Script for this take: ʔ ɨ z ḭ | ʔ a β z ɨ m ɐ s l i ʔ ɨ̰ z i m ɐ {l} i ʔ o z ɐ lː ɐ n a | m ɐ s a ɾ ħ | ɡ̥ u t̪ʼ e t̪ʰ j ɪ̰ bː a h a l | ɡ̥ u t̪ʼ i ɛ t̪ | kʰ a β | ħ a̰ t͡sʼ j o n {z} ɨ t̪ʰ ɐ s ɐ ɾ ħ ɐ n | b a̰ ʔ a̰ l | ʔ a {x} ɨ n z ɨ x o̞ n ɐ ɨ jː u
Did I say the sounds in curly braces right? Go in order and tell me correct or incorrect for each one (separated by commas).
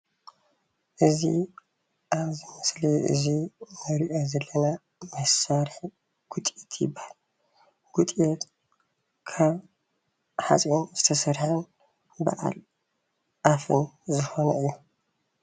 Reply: incorrect, correct, incorrect